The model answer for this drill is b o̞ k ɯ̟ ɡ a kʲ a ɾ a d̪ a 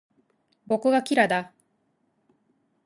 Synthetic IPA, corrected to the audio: b o̞ k ɯ̟ ɡ a kʲ i ɾ a d̪ a